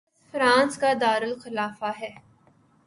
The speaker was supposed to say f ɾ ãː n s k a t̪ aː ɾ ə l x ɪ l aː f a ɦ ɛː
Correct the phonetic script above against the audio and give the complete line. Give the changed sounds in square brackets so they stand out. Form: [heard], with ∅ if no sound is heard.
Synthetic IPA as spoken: f ɾ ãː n s k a [d̪] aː ɾ ə l x ɪ l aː f a ɦ ɛː